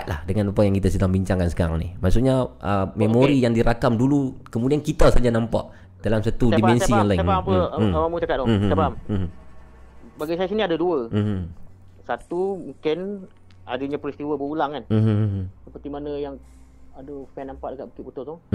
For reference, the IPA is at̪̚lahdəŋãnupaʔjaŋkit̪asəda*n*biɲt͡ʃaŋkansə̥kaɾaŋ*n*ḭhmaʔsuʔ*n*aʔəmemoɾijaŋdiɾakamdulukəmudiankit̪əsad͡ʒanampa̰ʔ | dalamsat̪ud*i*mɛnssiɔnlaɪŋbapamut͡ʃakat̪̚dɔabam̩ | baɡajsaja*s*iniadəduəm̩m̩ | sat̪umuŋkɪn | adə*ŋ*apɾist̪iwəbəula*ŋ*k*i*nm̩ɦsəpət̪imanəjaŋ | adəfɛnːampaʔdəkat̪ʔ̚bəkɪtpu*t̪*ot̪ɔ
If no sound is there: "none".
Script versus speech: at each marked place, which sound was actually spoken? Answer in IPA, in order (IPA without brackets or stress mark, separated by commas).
ŋ, n, ɲ, i, s, ɲ, ŋ, a, t̪